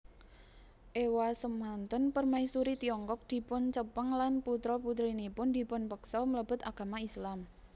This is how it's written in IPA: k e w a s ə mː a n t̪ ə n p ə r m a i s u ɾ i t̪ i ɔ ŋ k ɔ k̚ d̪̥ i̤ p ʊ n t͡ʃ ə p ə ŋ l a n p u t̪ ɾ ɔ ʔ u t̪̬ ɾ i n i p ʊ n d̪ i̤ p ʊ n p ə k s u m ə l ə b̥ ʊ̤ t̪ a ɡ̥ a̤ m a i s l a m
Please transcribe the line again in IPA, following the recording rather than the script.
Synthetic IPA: ʔ e w a s ə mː a n t̪ ə n p ə r m a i s u ɾ i t̪ i ɔ ŋ k ɔ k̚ d̪̥ i̤ p ʊ n t͡ʃ ə p ə ŋ l a n p u t̪ ɾ ɔ p u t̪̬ ɾ i n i p ʊ n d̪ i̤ p ʊ n p ə k s ɔ m ə l ə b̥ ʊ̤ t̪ a ɡ̥ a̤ m a i s l a m